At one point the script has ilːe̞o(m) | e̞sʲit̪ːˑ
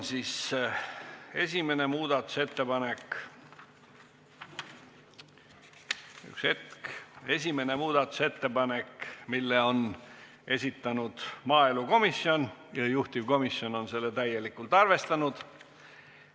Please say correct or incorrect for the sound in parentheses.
incorrect